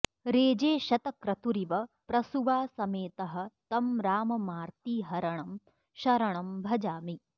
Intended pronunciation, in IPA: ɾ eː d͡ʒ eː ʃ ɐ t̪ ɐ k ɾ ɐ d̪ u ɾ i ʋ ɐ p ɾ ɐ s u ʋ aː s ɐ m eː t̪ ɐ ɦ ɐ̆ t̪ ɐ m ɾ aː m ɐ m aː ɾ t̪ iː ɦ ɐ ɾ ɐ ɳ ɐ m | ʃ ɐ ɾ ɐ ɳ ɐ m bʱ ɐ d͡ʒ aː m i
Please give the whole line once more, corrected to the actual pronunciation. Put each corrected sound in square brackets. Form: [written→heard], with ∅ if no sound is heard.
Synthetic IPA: ɾ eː d͡ʒ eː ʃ ɐ t̪ ɐ k ɾ ɐ [d̪→t̪] u ɾ i ʋ ɐ p ɾ ɐ s u ʋ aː s ɐ m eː t̪ ɐ ɦ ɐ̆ t̪ ɐ m ɾ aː m ɐ m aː ɾ t̪ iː ɦ ɐ ɾ ɐ ɳ ɐ m | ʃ ɐ ɾ ɐ ɳ ɐ m bʱ ɐ d͡ʒ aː m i